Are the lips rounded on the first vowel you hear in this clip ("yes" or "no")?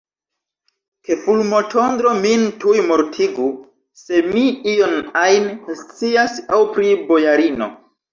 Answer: no